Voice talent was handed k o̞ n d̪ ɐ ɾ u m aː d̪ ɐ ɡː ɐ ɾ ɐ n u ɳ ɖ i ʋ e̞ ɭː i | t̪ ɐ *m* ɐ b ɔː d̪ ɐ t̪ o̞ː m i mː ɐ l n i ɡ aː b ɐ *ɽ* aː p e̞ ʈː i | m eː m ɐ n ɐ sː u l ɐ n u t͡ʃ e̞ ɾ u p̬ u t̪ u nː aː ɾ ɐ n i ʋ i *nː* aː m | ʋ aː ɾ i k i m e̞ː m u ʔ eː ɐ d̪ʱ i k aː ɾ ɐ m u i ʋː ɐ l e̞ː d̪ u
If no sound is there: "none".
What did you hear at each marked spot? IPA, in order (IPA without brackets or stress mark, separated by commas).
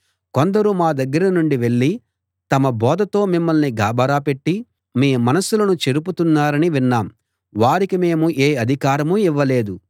m, ɾ, nː